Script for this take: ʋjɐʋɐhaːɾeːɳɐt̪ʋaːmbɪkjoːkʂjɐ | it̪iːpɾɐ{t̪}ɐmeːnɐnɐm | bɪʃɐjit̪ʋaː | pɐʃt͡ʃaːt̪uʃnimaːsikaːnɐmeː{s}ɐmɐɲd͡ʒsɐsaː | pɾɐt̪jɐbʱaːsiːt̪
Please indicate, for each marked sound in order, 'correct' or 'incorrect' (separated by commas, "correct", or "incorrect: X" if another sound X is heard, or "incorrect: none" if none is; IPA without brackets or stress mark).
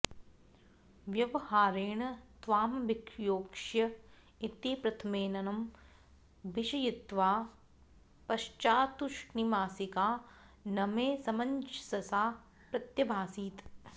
incorrect: t̪ʰ, correct